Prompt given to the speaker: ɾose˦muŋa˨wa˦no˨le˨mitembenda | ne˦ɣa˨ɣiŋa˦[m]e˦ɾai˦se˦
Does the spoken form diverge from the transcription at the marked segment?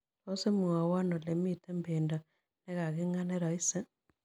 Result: yes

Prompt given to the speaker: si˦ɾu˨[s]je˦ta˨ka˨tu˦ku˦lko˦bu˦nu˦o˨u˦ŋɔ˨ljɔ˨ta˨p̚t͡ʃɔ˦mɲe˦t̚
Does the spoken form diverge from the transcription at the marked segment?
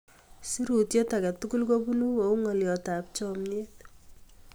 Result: yes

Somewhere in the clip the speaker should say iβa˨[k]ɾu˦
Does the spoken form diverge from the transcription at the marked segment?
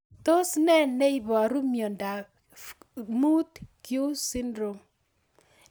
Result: yes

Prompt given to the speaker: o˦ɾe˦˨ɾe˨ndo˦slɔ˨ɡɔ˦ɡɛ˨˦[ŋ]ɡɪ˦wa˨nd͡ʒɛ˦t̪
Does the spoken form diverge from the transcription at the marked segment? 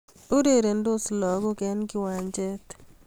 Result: yes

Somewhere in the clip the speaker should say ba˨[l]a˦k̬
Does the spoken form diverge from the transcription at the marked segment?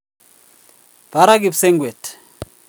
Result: yes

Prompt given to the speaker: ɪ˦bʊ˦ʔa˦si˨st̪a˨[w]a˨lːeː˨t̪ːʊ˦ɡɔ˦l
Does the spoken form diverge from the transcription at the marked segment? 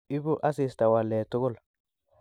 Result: no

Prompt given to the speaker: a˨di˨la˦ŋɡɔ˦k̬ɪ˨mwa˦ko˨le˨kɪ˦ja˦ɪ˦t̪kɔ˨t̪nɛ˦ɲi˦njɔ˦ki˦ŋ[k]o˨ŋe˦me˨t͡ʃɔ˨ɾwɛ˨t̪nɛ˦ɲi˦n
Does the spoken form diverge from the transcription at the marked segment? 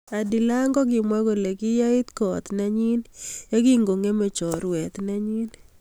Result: yes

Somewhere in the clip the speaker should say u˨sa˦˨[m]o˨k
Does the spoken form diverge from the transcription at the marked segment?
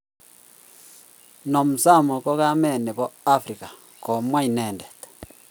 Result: no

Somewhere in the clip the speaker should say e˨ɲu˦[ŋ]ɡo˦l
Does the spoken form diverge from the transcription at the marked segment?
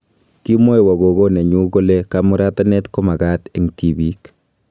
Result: yes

